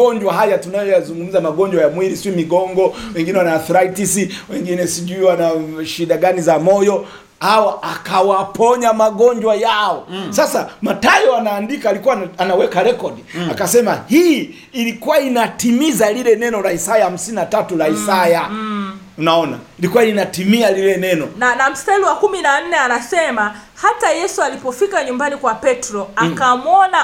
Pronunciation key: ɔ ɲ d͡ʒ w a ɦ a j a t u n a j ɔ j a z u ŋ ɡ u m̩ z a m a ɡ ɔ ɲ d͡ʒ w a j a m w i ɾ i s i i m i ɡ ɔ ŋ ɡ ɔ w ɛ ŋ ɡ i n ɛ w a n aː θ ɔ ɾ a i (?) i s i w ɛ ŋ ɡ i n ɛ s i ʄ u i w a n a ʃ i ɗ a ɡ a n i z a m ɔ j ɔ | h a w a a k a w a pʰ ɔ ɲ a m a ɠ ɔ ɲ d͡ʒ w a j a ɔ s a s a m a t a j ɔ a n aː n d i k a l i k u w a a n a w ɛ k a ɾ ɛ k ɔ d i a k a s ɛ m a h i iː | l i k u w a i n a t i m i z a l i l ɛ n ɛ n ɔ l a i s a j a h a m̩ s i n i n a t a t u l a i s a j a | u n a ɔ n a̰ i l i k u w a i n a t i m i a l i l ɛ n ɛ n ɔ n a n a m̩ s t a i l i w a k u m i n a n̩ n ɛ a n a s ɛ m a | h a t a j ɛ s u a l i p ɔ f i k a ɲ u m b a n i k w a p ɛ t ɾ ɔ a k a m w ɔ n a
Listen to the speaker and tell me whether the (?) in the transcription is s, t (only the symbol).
t